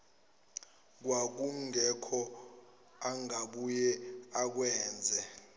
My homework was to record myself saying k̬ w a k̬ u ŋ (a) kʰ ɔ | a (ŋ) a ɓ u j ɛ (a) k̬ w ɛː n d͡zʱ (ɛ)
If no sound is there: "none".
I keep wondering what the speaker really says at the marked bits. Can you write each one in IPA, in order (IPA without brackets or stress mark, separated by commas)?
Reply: ɛ, ŋ, a, ɛ